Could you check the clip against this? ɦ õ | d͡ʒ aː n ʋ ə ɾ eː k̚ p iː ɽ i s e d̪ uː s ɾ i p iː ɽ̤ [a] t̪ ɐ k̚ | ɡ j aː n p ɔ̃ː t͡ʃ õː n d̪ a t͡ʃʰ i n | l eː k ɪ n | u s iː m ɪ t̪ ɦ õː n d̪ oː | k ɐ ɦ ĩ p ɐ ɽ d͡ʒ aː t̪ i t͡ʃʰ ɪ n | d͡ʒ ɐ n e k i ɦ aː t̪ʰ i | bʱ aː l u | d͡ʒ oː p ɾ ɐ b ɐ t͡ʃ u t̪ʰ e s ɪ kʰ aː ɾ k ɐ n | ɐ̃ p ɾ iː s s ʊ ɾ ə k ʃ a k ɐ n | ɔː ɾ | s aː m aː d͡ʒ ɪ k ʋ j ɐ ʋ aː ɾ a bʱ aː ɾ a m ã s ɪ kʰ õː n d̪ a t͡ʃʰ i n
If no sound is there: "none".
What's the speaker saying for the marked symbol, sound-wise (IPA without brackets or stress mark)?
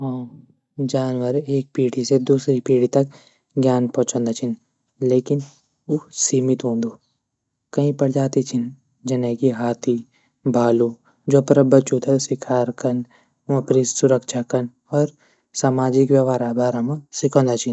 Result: i